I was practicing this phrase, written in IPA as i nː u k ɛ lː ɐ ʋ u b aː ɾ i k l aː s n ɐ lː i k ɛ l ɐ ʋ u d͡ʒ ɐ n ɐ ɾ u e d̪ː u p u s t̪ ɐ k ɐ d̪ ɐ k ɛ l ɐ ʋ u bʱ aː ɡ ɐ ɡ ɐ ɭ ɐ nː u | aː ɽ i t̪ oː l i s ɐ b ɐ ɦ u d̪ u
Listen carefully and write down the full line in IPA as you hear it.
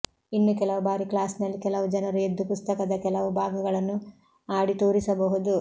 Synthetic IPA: i nː u k ɛ l ɐ ʋ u b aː ɾ i k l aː s n ɐ lː i k ɛ l ɐ ʋ u d͡ʒ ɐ n ɐ ɾ u e d̪ː u p u s t̪ ɐ k ɐ d̪ ɐ k ɛ l ɐ ʋ u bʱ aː ɡ ɐ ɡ ɐ ɭ ɐ nː u | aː ɽ i t̪ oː ɾ i s ɐ b ɐ ɦ u d̪ u